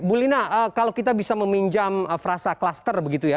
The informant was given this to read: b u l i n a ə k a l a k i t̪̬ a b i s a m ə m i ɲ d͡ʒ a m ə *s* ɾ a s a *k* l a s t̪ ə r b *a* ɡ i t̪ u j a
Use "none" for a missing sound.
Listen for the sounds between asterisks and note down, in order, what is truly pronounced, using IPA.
f, k, ə

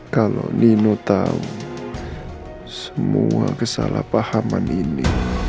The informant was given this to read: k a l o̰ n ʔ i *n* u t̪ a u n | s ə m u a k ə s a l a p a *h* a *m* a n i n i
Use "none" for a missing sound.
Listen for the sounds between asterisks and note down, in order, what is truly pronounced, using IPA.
n, h, m

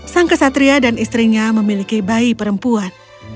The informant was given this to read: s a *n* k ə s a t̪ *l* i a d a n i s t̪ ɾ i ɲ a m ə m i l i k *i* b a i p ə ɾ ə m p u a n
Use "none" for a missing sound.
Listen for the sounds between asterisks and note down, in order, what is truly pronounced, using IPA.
ŋ, ɾ, i

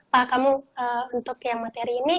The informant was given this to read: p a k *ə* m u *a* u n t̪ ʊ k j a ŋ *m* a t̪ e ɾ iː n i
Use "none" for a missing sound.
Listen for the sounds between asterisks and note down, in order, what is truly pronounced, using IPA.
a, ə, m

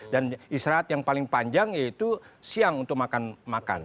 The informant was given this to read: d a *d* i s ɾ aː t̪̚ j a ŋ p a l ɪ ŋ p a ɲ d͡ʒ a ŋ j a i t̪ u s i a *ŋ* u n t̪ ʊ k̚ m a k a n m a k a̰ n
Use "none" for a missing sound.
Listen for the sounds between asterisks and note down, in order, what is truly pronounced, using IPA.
n, ŋ

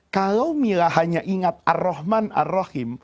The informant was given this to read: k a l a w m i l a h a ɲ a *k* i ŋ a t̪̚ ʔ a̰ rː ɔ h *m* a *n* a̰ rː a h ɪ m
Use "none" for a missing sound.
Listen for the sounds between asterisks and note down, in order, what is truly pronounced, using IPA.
ʔ, m, n

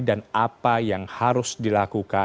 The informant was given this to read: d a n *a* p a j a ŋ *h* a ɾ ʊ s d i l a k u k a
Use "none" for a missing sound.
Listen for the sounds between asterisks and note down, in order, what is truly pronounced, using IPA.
a, h

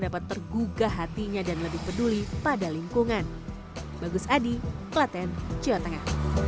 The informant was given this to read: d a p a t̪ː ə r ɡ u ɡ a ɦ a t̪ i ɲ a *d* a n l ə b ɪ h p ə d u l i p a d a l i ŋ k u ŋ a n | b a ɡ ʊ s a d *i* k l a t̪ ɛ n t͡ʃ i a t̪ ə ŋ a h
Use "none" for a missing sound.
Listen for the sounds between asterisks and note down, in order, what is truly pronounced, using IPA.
d, i

